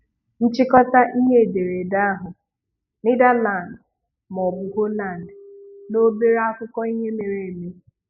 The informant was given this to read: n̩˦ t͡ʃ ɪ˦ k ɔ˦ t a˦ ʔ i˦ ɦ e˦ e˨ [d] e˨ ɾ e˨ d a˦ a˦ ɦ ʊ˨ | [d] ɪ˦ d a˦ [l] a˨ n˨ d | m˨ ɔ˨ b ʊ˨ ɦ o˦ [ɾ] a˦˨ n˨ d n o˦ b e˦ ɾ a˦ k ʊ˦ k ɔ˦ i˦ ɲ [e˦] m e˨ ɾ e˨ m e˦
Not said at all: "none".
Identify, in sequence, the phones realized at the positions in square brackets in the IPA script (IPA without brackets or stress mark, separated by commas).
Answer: d, n, l, l, e˦